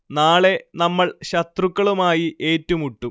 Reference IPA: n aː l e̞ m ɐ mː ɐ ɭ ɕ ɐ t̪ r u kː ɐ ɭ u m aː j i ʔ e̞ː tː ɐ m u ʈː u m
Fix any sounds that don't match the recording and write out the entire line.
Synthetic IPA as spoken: n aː ɭ e̞ n ɐ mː ɐ ɭ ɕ ɐ t̪ r u kː ɐ ɭ u m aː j i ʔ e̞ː tː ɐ m u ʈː u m